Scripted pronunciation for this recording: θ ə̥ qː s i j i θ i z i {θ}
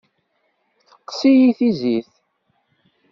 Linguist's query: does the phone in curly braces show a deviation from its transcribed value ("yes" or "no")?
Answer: no